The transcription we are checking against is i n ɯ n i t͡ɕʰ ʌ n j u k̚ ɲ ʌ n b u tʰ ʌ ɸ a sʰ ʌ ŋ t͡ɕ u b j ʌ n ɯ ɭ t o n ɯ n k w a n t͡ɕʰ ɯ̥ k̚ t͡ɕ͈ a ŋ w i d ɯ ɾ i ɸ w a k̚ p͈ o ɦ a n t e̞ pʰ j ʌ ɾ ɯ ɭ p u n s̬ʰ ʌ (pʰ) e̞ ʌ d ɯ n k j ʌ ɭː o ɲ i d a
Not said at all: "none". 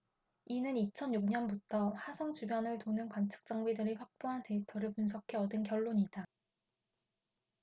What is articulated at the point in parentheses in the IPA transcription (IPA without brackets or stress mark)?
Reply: kʰ